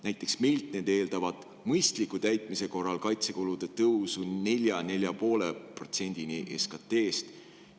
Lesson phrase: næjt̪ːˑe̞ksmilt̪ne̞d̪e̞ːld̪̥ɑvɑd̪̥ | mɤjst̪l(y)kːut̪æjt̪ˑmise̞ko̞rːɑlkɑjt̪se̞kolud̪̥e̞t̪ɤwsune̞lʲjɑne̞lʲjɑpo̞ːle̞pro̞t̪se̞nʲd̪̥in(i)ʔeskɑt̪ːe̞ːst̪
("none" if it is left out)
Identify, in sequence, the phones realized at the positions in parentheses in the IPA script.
i, i

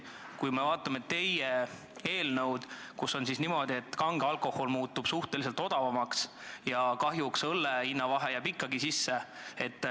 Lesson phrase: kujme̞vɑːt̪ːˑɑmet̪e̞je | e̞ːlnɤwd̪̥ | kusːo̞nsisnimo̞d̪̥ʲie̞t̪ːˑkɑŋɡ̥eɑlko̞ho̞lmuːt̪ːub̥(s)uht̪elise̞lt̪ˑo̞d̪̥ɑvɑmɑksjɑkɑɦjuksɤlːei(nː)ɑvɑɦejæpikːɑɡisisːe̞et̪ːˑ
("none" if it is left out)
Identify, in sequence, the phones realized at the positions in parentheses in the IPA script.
s, nː

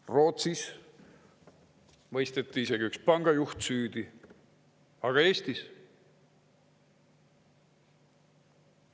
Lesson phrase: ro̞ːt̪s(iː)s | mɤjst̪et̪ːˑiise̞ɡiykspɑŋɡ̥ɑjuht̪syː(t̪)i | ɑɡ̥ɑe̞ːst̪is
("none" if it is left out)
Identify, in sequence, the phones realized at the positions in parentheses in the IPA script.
i, d̪

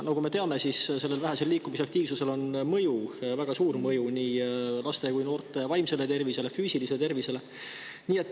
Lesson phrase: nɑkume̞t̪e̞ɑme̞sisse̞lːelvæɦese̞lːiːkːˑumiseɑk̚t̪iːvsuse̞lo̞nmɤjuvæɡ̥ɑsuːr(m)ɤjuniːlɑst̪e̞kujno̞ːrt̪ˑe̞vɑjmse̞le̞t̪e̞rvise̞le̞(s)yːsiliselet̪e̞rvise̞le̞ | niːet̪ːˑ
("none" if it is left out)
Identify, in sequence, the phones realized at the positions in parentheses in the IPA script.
m, f

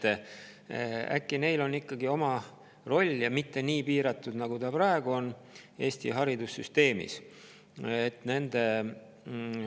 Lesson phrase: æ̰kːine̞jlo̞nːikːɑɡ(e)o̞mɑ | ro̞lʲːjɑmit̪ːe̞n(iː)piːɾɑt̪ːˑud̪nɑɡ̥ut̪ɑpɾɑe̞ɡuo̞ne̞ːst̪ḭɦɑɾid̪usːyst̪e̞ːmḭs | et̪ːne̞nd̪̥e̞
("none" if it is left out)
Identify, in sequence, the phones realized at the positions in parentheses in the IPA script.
i, iː

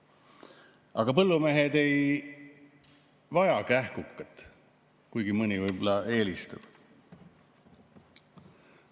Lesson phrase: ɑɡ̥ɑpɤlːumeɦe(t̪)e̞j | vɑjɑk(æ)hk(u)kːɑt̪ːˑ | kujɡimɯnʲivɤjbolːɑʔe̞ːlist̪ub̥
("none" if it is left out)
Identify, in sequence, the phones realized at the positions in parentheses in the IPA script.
d̪, æ, u

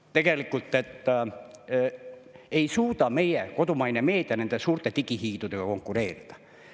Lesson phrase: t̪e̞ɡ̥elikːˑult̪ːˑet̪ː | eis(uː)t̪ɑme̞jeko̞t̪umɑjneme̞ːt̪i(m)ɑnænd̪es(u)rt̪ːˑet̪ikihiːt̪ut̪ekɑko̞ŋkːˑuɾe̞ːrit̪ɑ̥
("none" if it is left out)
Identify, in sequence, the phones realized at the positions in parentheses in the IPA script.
uː, none, uː

